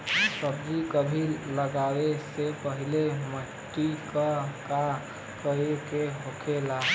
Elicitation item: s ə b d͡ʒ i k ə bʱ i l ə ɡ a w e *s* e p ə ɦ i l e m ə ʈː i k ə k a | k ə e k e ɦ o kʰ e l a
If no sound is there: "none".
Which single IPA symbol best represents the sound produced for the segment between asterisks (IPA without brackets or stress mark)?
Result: s